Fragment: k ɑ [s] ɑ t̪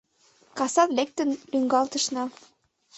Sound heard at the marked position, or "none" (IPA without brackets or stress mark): s